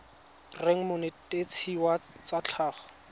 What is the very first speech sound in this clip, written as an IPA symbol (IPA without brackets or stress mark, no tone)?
r